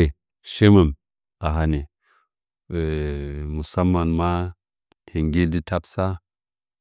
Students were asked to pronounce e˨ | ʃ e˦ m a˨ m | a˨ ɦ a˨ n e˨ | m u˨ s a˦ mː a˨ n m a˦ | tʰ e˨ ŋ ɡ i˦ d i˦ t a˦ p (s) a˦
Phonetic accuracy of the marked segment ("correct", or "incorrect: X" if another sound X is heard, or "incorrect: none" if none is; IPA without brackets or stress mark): correct